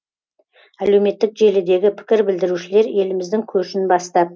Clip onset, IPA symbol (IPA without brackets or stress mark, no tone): æ